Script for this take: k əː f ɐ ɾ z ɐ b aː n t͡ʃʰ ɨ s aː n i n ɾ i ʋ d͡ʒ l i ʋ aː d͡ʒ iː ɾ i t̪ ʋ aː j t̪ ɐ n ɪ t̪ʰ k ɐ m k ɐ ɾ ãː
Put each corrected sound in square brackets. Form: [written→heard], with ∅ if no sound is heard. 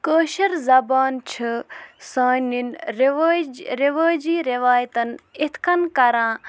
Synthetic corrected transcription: k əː [f→ʃ] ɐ ɾ z ɐ b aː n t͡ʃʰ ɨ s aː n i n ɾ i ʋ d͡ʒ [l→ɾ] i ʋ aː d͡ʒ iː ɾ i [t̪→∅] ʋ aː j t̪ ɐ n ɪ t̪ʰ k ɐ [m→n] k ɐ ɾ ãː